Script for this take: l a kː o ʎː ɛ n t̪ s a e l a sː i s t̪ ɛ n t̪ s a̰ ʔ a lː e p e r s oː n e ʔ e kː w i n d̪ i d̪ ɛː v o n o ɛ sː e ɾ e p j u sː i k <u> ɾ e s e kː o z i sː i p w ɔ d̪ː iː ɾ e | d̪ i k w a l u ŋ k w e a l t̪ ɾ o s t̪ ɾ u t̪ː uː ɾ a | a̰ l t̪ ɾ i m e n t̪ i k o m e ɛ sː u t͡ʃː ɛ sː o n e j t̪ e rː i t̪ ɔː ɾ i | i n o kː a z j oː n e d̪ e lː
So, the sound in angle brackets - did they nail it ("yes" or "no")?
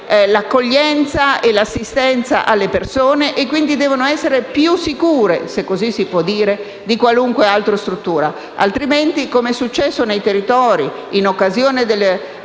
no